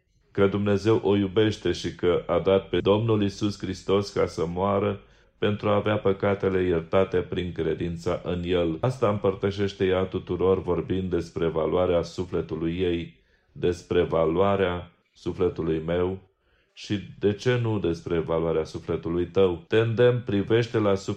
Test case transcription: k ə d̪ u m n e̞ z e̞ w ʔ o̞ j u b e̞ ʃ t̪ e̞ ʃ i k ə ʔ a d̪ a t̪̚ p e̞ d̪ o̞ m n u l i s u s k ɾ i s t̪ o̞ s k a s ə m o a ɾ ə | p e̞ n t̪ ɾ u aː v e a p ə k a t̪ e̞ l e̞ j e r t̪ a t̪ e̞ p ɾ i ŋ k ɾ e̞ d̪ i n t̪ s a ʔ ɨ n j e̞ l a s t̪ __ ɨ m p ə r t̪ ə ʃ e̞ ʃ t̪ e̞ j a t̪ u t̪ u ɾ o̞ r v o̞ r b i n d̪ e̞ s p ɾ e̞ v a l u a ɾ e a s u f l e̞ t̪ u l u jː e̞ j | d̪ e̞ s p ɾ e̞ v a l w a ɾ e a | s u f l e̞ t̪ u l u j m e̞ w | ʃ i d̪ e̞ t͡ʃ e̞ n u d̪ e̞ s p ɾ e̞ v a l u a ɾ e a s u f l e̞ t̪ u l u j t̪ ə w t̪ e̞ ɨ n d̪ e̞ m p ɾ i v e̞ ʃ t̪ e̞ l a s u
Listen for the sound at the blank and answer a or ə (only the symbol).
a